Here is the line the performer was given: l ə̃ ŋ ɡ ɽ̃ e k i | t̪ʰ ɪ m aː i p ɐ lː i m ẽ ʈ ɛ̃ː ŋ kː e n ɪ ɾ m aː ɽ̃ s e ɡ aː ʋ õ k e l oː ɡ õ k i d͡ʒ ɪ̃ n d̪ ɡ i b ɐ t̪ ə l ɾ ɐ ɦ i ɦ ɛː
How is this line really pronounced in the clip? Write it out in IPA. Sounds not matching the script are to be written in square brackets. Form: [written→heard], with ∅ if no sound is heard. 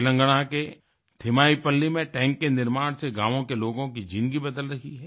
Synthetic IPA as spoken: l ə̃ ŋ ɡ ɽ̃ [e→a] k [i→e] | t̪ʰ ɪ m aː i p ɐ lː i m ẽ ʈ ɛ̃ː ŋ kː e n ɪ ɾ m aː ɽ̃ s e ɡ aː ʋ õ k e l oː ɡ õ k i d͡ʒ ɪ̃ n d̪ ɡ i b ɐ [t̪→d̪] ə l ɾ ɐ ɦ i ɦ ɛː

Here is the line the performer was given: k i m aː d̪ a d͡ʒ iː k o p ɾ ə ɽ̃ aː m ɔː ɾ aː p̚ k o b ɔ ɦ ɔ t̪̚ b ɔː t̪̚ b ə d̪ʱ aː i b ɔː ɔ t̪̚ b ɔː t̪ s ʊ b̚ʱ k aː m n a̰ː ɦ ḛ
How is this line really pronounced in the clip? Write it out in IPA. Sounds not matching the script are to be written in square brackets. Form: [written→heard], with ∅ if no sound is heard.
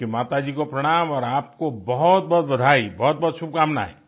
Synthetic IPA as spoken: k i m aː [d̪→t̪] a d͡ʒ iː k o p ɾ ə ɽ̃ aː m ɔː ɾ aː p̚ k o b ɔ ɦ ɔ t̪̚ b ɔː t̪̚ b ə d̪ʱ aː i b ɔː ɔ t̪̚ b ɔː t̪ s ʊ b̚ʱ k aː m n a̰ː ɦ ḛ

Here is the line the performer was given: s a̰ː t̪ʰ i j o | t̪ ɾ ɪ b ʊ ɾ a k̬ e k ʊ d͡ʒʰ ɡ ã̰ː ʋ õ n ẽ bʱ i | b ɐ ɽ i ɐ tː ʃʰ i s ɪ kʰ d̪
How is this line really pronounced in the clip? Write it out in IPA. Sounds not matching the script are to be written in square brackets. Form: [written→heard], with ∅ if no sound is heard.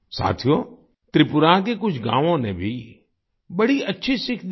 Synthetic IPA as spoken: s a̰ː t̪ʰ i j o | t̪ ɾ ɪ [b→p] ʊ ɾ a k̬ e k ʊ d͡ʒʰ ɡ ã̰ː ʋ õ n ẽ bʱ i | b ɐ ɽ i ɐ tː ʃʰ i s ɪ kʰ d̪

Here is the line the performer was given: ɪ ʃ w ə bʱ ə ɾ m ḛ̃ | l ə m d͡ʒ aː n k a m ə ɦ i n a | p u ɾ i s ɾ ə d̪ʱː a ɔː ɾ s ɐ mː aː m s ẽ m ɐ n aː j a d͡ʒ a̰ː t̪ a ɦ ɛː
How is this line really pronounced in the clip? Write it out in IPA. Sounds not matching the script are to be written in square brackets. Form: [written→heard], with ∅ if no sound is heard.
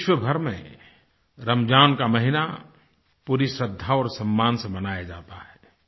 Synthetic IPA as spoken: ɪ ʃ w ə bʱ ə ɾ m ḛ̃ | [l→ɾ] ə m d͡ʒ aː n k a m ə ɦ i n a | p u ɾ i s ɾ ə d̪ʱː a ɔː ɾ s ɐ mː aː [m→n] s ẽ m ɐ n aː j a d͡ʒ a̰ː t̪ a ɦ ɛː

